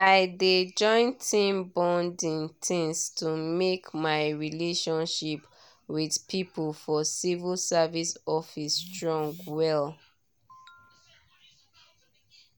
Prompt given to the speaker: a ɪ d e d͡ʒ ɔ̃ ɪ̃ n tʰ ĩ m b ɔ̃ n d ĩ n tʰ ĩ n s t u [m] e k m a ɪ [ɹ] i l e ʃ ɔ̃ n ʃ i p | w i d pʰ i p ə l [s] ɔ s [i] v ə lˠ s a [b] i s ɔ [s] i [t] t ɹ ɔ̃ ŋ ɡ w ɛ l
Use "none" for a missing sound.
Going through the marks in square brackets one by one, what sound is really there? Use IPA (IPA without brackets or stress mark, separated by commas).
m, ɹ, f, i, v, f, s